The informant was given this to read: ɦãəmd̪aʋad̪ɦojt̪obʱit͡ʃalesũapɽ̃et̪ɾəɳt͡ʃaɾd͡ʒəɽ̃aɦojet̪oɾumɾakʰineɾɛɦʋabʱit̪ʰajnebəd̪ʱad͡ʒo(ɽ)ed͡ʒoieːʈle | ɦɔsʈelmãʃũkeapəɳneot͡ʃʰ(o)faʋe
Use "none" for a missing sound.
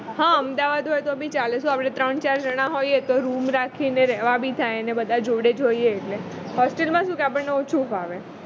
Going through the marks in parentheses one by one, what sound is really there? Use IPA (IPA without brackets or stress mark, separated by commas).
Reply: ɽ, u